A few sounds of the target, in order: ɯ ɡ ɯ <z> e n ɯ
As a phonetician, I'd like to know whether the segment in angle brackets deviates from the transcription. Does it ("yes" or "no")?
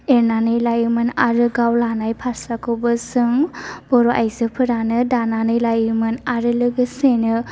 yes